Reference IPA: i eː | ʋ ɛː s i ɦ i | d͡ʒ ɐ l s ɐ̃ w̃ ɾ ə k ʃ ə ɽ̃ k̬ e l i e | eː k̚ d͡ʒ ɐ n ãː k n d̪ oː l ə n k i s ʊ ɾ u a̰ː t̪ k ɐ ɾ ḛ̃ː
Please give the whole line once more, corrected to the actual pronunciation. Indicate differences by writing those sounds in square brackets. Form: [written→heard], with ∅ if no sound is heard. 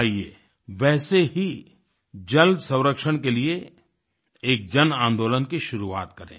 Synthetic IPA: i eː | ʋ ɛː s [i→e] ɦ i | d͡ʒ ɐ l s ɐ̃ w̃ ɾ ə k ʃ ə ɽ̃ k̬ e l i e | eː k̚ d͡ʒ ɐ n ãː [k→∅] n d̪ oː l ə n k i [s→ʃ] ʊ ɾ u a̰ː t̪ k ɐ ɾ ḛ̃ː